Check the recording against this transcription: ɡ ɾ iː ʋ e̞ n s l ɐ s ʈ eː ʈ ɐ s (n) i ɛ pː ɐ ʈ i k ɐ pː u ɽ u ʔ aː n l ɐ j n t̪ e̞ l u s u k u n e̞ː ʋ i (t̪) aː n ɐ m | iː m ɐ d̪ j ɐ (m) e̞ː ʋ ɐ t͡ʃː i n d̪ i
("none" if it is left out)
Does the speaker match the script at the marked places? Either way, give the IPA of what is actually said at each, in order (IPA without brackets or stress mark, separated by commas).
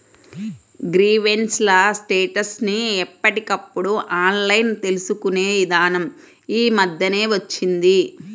n, d̪, n